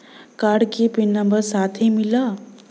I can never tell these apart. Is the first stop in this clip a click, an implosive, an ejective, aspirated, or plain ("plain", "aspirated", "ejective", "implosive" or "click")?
plain